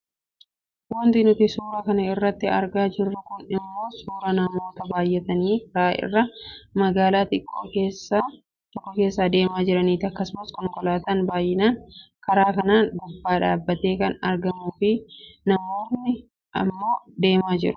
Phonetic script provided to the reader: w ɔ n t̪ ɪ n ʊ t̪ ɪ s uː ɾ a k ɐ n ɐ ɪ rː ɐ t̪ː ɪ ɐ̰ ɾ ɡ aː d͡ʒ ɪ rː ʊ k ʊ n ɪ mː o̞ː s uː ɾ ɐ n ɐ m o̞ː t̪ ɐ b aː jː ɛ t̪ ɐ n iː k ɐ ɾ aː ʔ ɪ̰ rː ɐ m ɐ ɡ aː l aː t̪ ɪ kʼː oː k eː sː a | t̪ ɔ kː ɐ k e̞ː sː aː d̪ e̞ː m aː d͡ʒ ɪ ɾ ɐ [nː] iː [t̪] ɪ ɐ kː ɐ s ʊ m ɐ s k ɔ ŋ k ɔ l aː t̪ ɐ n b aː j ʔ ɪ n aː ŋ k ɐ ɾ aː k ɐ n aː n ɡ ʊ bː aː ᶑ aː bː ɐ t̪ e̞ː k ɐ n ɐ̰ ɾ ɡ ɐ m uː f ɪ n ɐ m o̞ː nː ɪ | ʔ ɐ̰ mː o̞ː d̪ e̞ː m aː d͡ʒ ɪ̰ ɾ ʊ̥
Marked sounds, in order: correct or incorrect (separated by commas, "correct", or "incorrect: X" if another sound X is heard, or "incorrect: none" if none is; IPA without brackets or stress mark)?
incorrect: n, correct